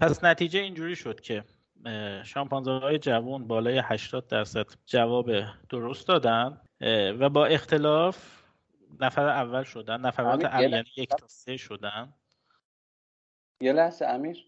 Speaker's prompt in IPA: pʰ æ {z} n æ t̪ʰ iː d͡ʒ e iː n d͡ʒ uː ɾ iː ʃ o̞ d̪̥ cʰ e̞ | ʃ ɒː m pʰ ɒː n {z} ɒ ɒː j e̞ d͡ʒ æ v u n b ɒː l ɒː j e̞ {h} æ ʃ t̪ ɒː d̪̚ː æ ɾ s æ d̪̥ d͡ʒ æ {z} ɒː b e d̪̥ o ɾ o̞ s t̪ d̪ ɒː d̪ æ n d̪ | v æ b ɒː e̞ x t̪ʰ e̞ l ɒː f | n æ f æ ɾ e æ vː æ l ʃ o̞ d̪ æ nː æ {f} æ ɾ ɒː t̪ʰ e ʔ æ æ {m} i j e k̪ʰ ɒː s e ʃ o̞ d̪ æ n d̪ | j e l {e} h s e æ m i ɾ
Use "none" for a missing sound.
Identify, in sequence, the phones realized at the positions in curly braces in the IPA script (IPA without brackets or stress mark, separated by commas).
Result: s, z, h, v, f, n, æ